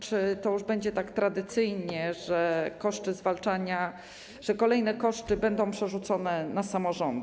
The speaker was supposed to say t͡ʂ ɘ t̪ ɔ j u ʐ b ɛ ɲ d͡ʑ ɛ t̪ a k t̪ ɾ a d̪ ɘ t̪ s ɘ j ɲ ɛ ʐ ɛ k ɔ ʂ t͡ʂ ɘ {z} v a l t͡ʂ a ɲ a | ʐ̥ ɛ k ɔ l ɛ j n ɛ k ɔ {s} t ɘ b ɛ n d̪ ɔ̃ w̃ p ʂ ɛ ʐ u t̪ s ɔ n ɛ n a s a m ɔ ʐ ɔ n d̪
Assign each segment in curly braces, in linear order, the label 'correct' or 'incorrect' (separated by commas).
correct, incorrect